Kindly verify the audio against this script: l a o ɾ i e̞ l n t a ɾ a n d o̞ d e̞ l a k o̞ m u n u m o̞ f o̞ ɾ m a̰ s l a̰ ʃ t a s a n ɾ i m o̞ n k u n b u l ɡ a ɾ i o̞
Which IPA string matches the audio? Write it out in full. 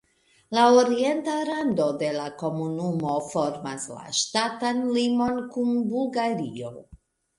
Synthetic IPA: l a o ɾ i e̞ n t a ɾ a n d o̞ d e̞ l a k o̞ m u n u m o̞ f o̞ ɾ m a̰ s l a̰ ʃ t a t a n l i m o̞ n k u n b u l ɡ a ɾ i o̞